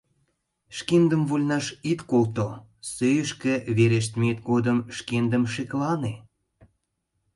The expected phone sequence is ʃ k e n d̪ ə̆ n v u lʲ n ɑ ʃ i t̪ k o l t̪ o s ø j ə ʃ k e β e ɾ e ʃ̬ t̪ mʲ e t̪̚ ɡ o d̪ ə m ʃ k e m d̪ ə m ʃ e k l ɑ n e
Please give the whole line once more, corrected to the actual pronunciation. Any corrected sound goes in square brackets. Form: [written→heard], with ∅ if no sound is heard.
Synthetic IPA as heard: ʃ k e n d̪ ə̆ [n→m] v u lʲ n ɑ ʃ i t̪ k o l t̪ o s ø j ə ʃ k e β e ɾ e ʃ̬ t̪ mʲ e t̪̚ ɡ o d̪ ə m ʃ k e [m→n] d̪ ə m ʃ e k l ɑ n e